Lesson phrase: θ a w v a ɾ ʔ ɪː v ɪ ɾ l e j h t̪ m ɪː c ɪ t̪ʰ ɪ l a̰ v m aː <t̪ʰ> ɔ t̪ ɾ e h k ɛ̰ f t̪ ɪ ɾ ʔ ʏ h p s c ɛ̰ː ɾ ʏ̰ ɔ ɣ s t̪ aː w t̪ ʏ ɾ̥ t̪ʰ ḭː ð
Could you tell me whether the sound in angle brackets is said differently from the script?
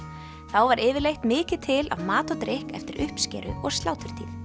yes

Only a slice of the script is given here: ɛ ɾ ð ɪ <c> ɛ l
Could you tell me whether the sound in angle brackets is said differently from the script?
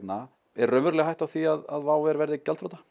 no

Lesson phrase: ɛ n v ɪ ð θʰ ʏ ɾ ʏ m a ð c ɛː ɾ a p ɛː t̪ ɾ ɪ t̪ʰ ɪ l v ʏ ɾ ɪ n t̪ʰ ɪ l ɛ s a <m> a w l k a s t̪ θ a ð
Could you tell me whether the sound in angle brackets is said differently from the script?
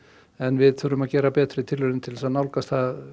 yes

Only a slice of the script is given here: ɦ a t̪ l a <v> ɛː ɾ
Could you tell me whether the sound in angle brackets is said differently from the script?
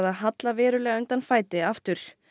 no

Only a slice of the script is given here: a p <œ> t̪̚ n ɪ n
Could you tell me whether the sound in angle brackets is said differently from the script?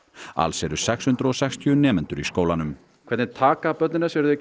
no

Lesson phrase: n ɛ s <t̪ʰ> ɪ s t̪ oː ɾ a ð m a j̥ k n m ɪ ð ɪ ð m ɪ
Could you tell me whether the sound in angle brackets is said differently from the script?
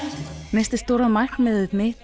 yes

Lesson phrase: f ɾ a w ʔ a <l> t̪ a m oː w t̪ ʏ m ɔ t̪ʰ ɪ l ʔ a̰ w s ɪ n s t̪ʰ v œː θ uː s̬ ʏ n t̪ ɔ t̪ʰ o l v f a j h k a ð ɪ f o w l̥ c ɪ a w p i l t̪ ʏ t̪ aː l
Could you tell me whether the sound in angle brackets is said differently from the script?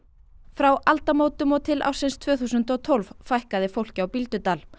no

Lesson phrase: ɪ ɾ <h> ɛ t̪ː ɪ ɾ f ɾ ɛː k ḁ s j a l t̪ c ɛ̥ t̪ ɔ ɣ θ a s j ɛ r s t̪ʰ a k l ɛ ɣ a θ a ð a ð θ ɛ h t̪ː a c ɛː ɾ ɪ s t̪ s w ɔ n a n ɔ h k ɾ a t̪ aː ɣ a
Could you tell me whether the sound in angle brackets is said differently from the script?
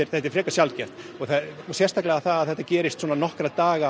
yes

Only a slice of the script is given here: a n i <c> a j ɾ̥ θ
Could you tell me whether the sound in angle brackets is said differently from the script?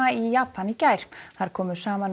no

